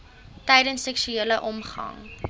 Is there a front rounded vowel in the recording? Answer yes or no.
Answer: yes